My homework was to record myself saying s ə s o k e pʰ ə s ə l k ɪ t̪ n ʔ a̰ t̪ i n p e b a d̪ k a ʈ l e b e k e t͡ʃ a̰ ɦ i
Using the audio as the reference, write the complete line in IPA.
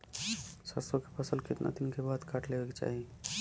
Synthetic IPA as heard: s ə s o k e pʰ ə s ə l k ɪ t̪ n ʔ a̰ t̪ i n k e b a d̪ k a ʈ l e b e k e t͡ʃ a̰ ɦ i